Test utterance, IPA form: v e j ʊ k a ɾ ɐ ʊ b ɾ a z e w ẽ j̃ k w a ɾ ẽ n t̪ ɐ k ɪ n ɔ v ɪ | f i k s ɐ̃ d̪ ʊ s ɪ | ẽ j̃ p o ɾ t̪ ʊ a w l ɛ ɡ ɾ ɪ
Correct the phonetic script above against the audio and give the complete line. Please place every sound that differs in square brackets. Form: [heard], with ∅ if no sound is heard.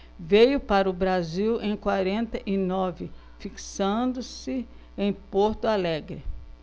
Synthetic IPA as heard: v e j ʊ [p] a ɾ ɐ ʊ b ɾ a z [i] w ẽ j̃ k w a ɾ ẽ n t̪ ɐ [ʔ] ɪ n ɔ v ɪ | f i k s ɐ̃ d̪ ʊ s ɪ | ẽ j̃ p o ɾ t̪ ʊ a [∅] l ɛ ɡ ɾ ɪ